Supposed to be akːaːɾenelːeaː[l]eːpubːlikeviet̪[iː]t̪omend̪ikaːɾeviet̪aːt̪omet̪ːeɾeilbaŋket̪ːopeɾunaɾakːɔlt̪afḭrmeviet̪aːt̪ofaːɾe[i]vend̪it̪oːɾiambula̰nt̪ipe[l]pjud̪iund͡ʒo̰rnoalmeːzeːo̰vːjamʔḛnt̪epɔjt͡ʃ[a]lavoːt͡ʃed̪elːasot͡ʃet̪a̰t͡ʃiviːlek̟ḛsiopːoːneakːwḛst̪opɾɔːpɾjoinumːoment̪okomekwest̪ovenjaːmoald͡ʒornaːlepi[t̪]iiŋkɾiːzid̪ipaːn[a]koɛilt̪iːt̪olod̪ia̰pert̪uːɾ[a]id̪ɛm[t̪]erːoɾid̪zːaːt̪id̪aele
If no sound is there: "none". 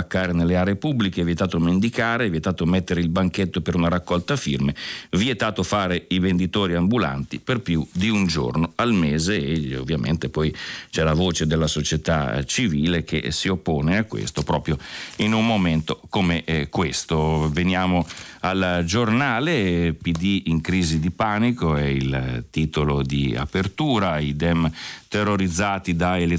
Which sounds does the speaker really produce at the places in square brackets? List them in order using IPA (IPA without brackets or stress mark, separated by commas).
ɾ, aː, i, r, ɛ, d̪, i, a, t̪